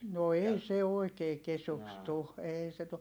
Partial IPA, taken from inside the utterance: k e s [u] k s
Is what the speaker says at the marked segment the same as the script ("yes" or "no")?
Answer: yes